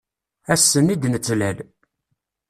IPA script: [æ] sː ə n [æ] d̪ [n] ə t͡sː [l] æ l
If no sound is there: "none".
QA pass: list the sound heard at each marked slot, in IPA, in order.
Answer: æ, i, n, l

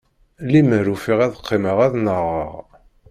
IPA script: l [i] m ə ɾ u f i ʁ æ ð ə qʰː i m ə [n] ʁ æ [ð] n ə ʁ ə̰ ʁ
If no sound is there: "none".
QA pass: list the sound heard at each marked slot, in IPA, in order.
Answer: i, none, ð

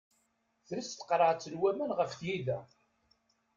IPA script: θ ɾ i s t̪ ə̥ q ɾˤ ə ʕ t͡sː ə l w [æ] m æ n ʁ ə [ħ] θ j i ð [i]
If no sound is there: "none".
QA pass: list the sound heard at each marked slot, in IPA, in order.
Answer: æ, f, æ

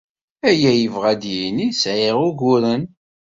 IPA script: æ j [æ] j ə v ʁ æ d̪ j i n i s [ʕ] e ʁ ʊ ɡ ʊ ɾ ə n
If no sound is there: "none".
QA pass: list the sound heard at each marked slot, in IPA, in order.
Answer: æ, ʕ

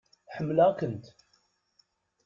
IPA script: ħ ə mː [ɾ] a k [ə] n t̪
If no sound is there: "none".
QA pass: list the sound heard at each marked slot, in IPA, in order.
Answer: l, ə

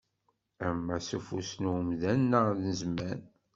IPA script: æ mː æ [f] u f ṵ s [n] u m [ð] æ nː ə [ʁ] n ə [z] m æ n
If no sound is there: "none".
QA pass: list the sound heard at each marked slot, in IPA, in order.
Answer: s, n, ð, ð, z

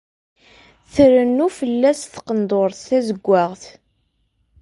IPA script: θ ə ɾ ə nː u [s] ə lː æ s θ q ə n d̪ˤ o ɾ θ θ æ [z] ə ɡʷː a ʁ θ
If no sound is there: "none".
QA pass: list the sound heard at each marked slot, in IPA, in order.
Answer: f, z

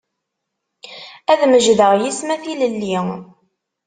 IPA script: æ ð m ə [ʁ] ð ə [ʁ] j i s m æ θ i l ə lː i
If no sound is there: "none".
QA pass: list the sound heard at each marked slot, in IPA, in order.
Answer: ʒ, ʁ

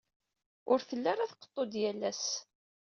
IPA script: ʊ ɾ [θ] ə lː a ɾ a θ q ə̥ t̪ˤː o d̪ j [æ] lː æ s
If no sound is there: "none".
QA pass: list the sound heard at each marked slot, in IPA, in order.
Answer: θ, æ

